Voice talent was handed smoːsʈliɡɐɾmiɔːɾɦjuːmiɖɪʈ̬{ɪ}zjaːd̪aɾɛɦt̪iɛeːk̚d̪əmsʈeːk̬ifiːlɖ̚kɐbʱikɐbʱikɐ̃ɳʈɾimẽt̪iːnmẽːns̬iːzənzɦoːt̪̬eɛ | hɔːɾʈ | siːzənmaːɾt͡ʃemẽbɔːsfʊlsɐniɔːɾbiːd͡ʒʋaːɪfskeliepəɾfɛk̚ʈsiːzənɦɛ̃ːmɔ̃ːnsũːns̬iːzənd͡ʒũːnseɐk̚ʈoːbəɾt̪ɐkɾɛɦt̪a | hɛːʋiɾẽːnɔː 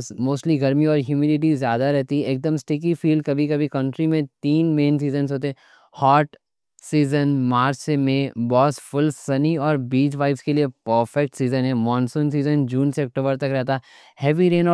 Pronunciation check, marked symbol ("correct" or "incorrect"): incorrect